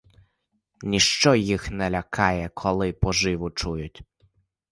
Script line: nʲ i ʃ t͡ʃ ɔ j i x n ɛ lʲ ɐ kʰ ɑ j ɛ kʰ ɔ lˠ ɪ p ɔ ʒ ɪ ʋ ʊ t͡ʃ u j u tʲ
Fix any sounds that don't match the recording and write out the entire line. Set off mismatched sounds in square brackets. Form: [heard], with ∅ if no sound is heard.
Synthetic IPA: nʲ i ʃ t͡ʃ ɔ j i x n ɛ lʲ ɐ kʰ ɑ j ɛ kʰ ɔ lˠ ɪ p ɔ ʒ ɪ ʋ ʊ t͡ʃ u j [ʊ] tʲ